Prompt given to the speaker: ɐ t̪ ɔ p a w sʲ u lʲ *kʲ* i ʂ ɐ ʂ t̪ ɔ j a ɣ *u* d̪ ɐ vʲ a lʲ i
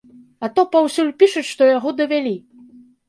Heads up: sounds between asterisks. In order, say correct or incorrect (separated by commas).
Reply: incorrect, incorrect